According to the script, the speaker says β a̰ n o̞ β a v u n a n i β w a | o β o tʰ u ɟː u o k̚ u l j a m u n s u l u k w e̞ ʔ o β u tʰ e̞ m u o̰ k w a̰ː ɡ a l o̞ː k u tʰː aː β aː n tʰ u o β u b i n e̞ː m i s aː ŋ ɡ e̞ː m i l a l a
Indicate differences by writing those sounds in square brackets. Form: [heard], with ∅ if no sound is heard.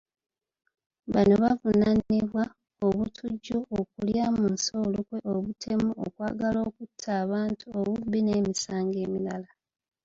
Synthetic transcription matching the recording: β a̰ n o̞ β a v u n a n i β w a | o β [u] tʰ u ɟː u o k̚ u l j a m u n s [o] l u k w e̞ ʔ o β u tʰ e̞ m u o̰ k w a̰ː ɡ a l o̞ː k u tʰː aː β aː n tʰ u o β u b i n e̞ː m i s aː ŋ ɡ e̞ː m i l a l a